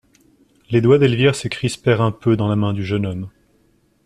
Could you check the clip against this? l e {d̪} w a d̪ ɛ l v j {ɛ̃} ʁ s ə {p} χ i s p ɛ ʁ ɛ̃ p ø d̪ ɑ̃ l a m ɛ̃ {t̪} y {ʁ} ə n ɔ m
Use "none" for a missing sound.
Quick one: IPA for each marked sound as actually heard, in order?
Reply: d̪, ɛ, k, d̪, ʒ

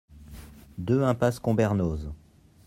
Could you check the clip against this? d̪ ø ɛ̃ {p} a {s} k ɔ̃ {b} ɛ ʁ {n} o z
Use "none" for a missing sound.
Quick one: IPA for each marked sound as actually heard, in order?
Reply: p, s, b, n

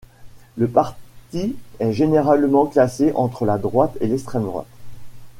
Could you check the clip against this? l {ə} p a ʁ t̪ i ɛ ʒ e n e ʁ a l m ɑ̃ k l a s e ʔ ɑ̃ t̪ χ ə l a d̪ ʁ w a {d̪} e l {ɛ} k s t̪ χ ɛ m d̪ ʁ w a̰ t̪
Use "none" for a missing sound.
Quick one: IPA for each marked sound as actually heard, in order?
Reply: ə, t̪, ɛ

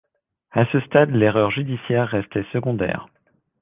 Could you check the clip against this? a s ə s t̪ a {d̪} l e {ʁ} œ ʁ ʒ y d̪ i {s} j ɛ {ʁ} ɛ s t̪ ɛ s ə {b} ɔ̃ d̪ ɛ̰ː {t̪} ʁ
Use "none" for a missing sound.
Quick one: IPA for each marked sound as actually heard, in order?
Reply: d̪, ʁ, s, ʁː, ɡ, none

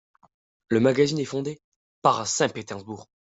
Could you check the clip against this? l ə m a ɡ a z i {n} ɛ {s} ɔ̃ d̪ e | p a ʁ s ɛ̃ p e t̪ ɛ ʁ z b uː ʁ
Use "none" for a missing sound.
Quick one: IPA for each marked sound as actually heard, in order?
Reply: n, f

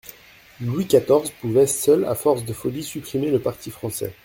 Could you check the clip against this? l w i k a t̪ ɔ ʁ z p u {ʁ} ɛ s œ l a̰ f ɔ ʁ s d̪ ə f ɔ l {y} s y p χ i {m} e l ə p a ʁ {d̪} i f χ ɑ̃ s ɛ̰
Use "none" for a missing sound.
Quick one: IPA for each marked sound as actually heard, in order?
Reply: v, i, m, t̪

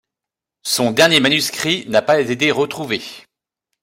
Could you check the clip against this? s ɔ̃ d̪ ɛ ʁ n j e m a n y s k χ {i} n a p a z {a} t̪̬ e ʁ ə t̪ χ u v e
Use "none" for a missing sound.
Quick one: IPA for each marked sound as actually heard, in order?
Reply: i, e

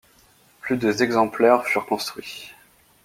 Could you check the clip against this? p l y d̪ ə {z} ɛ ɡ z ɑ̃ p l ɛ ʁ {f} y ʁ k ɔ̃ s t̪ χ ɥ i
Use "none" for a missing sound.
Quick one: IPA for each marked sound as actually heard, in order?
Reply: z, f

